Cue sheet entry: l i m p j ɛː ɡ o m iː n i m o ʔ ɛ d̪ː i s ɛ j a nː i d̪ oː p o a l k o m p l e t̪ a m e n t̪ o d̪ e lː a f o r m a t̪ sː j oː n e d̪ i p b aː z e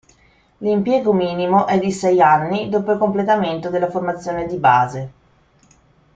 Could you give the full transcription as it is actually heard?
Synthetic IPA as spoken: l i m p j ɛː ɡ o m iː n i m o ʔ ɛ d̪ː i s ɛ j a nː i d̪ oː p o i l k o m p l e t̪ a m e n t̪ o d̪ e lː a f o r m a t̪ sː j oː n e d̪ i b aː z e